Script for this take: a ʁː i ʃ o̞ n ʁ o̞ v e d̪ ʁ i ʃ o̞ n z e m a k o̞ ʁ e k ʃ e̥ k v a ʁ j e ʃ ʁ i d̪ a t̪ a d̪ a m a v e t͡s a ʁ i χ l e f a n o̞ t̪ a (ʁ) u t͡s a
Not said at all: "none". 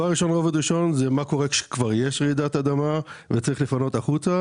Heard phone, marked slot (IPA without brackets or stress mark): χ